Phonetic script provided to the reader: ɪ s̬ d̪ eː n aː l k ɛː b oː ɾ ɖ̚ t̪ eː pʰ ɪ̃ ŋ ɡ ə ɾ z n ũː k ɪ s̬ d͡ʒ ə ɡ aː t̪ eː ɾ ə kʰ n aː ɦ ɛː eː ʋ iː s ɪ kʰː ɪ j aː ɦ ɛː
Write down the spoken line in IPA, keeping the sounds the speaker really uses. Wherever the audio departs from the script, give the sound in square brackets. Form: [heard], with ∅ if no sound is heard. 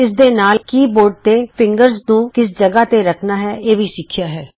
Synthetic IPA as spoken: ɪ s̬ d̪ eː n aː l k [iː] b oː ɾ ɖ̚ t̪ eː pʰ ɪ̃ ŋ ɡ ə ɾ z n ũː k ɪ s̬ d͡ʒ ə ɡ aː t̪ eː ɾ ə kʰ n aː ɦ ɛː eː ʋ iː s ɪ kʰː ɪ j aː ɦ ɛː